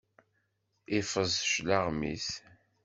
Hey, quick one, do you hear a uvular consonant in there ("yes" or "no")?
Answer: yes